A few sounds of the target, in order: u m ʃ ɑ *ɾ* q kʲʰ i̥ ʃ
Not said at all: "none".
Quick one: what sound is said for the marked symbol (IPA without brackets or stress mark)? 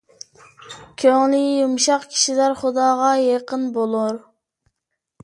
none